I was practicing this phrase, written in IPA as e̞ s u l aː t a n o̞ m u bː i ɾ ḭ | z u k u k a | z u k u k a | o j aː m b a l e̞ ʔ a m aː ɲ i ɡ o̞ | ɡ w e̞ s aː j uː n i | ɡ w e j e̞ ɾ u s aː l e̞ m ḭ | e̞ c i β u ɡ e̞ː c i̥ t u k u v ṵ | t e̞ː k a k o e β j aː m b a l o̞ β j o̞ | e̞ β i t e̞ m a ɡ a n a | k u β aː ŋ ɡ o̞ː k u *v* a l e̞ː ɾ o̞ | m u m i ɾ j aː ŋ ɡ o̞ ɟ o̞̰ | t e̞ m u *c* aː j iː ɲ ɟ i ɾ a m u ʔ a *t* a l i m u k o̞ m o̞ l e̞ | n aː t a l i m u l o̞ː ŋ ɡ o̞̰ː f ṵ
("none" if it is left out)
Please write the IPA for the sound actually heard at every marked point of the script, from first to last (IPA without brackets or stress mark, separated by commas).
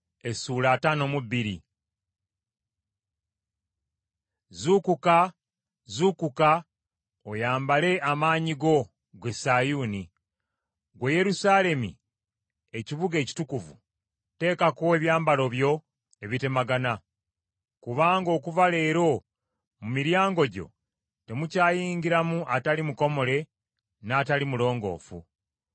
v, c, t